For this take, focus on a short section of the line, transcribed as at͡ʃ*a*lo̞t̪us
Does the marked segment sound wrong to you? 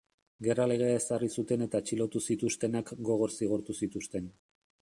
yes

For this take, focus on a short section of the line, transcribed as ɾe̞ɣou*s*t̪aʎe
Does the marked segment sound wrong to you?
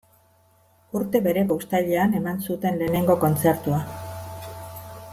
no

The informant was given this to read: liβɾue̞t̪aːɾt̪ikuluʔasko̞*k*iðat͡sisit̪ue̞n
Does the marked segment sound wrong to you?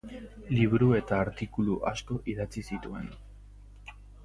yes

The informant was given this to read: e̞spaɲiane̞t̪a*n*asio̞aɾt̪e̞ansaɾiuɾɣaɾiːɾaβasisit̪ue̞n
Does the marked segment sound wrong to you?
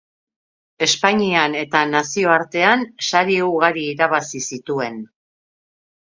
no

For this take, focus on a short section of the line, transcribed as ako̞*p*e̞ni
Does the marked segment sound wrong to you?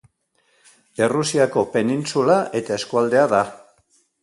no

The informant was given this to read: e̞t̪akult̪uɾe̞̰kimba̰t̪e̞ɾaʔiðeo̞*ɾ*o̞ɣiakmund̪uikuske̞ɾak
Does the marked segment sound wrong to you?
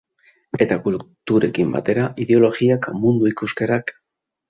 yes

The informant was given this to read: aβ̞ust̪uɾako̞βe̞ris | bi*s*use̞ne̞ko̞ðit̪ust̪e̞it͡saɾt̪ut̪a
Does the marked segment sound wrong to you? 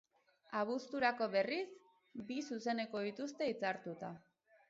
no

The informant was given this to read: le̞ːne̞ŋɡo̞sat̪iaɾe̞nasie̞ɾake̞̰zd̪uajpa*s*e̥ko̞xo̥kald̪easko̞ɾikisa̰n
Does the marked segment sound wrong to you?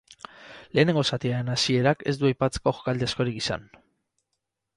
yes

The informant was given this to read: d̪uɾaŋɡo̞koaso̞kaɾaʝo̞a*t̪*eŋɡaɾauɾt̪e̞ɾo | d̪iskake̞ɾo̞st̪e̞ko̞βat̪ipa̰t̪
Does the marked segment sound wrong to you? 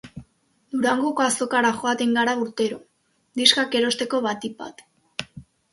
no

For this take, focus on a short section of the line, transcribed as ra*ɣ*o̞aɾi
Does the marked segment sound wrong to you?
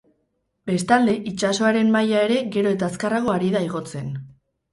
no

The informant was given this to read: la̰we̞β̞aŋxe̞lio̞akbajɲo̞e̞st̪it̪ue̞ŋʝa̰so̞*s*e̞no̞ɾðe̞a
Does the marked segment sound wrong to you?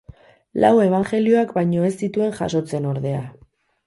yes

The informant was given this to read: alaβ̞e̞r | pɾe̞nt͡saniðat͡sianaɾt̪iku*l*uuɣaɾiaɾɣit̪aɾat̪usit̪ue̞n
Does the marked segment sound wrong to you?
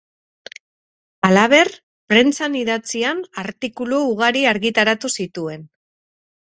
no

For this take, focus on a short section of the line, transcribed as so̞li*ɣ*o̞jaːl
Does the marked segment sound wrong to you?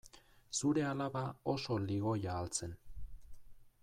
no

